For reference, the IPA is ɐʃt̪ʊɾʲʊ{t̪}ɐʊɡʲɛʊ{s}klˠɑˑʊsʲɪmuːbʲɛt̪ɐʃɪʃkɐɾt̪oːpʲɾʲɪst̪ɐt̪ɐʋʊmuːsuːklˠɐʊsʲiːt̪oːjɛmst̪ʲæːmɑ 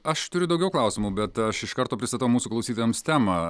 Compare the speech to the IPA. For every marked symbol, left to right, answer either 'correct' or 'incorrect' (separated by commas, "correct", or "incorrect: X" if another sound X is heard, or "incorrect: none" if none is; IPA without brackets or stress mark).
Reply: incorrect: d̪, incorrect: none